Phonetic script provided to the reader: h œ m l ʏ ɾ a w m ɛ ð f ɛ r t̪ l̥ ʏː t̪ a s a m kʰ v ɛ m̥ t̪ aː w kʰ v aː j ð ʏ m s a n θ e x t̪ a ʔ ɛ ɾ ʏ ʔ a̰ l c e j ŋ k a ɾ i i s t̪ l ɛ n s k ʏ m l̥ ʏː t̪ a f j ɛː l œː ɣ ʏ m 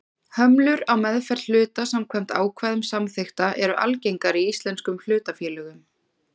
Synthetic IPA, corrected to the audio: h œ m l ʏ ɾ a w m ɛ ð f ɛ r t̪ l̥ ʏː t̪ a s a m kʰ v ɛ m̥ t̪ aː w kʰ v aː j ð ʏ m s a m θ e x t̪ a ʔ ɛ ɾ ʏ ʔ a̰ l c e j ŋ k a ɾ i i s t̪ l ɛ n s k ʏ m l̥ ʏː t̪ a f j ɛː l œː ɣ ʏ m